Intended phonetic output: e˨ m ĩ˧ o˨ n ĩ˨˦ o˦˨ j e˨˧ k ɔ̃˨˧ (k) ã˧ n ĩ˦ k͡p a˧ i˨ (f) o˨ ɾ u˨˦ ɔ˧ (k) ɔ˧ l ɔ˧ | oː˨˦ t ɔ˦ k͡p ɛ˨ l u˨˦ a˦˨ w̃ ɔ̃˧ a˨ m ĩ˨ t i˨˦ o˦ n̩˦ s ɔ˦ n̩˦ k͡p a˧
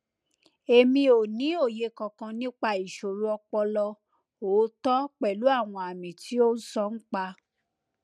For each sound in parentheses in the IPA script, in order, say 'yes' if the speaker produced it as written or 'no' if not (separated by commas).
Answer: yes, no, no